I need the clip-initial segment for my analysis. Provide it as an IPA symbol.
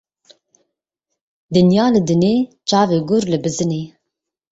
d̪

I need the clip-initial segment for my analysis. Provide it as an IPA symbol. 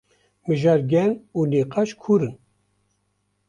m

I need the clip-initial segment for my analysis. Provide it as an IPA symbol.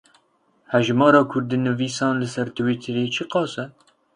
h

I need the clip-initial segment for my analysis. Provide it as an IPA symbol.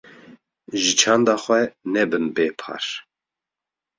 ʒ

